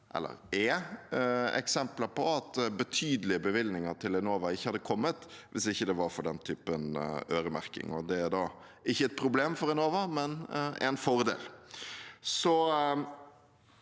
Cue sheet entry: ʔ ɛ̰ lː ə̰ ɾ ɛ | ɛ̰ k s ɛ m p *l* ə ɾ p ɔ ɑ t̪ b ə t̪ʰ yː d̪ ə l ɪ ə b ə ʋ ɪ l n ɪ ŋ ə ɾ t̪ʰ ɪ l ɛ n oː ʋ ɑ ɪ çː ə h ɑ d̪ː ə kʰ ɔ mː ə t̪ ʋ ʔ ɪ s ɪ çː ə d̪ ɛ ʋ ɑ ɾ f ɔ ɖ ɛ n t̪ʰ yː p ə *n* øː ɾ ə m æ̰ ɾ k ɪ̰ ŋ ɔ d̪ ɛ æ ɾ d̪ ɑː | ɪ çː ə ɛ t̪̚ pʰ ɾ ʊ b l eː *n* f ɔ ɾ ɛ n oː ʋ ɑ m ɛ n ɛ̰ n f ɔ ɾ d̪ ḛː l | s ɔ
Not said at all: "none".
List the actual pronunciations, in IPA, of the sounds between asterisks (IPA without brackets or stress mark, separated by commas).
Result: l, n, m